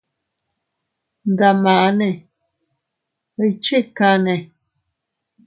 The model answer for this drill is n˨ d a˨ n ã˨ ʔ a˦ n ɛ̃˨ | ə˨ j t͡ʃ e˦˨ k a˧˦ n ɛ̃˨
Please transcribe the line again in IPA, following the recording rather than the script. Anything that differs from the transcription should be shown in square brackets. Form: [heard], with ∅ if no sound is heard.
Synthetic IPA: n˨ d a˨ [m] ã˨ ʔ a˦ n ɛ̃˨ | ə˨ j t͡ʃ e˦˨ k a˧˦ n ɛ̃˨